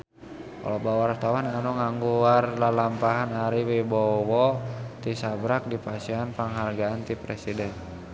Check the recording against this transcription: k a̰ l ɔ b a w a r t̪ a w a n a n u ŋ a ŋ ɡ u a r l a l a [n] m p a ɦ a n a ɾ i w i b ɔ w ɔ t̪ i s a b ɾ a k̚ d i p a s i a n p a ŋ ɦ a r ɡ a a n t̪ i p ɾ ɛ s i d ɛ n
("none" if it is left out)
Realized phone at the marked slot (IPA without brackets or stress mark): none